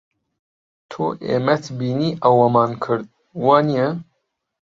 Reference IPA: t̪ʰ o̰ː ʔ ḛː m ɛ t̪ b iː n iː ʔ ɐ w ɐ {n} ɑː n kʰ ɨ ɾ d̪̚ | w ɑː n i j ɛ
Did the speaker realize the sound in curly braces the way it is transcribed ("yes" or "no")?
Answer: no